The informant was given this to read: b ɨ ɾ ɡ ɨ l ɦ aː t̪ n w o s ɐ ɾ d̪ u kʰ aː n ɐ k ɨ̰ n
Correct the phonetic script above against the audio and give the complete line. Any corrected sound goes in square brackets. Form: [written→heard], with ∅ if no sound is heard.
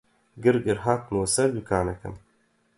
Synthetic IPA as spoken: [b→ɡ] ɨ ɾ ɡ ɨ [l→ɾ] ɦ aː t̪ n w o s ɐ ɾ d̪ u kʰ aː n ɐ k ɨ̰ [n→m]